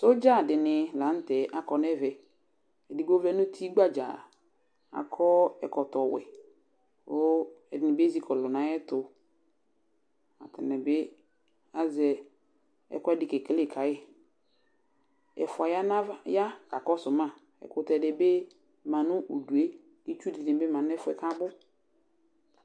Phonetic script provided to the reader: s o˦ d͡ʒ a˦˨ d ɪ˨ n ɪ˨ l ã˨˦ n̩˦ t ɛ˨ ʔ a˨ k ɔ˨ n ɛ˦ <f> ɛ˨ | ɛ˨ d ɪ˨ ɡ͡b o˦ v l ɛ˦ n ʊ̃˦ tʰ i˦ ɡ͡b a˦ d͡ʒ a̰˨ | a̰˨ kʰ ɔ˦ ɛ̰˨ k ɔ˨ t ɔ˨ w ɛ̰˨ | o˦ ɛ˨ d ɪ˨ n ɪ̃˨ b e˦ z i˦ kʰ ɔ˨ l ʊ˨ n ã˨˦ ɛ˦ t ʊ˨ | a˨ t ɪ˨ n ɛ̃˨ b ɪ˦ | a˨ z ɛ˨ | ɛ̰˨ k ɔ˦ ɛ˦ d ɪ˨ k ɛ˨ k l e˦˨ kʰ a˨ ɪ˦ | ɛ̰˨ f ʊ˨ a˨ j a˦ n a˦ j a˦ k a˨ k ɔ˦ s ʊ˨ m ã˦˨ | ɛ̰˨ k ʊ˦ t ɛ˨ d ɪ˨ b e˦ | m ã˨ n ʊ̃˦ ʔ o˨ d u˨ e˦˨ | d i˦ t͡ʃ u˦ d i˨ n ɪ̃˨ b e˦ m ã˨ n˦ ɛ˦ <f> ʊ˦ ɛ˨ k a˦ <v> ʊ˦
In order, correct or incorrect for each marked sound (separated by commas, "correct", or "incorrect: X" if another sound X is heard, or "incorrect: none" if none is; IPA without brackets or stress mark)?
incorrect: v, correct, incorrect: b